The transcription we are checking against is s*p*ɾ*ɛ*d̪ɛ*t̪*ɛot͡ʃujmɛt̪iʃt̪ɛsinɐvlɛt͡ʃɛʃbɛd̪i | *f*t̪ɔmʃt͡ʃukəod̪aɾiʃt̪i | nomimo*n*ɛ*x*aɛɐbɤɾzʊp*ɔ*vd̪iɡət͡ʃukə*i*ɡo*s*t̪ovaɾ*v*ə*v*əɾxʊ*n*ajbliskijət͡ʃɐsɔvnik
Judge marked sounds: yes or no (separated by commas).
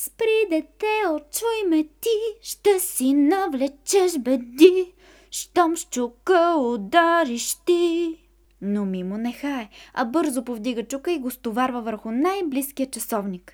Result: yes, no, yes, no, yes, yes, no, yes, yes, yes, yes, yes